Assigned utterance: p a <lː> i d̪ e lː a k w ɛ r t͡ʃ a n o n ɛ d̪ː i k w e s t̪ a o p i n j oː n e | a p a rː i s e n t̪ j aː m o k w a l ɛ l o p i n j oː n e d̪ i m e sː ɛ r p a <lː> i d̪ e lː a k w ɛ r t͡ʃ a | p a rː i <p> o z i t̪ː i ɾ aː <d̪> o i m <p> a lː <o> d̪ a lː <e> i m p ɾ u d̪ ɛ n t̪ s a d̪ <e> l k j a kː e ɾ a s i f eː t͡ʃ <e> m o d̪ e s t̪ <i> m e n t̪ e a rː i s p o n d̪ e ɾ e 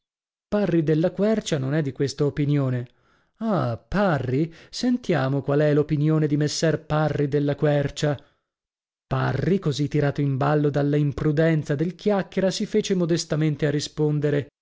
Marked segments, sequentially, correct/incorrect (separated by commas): incorrect, incorrect, incorrect, incorrect, incorrect, correct, incorrect, correct, correct, incorrect